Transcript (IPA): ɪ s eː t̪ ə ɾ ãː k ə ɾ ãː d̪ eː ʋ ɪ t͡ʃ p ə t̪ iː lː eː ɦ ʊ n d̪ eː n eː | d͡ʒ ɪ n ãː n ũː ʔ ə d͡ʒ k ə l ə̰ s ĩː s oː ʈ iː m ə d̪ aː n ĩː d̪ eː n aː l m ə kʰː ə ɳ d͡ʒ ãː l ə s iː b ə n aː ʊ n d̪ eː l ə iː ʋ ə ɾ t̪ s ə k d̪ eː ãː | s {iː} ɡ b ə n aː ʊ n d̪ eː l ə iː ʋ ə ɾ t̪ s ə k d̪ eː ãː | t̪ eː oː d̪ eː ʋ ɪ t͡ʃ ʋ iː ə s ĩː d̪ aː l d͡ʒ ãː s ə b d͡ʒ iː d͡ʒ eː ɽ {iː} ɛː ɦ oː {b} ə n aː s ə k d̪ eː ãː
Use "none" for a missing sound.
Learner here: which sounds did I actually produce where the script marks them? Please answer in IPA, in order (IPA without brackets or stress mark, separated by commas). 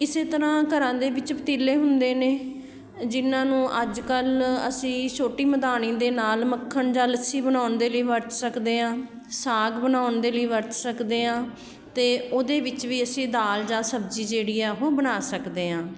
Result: aː, iː, b